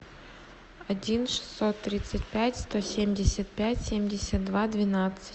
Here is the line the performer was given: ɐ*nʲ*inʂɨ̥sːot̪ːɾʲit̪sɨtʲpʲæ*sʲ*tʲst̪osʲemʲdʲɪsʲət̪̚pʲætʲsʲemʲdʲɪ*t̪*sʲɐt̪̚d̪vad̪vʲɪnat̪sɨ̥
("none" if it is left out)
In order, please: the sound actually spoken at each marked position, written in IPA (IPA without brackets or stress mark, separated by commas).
dʲ, none, none